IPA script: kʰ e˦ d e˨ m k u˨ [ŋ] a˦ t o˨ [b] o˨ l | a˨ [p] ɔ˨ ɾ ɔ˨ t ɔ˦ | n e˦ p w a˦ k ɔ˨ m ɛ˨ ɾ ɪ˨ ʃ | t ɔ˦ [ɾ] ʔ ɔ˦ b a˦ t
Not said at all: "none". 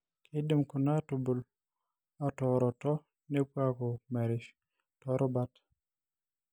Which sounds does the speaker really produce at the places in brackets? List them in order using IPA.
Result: n, b, t, ɾ

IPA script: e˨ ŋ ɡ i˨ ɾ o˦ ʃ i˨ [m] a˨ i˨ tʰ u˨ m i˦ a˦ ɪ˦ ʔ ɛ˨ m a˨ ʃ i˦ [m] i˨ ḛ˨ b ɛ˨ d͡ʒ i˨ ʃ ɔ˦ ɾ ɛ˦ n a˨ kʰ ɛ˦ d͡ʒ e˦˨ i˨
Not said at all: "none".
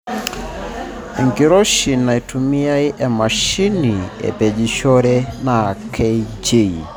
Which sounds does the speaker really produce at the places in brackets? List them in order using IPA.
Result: n, n

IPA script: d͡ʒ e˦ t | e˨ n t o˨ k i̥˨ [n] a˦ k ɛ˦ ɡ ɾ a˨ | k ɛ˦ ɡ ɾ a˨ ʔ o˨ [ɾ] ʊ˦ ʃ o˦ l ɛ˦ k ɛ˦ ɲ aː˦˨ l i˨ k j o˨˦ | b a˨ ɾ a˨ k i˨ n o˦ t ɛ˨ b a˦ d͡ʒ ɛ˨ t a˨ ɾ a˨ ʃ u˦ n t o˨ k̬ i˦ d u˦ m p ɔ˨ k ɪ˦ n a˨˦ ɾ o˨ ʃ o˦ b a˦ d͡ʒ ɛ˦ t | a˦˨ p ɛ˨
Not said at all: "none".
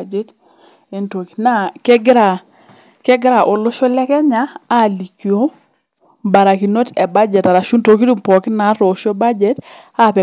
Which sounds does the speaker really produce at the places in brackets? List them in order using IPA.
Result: n, l

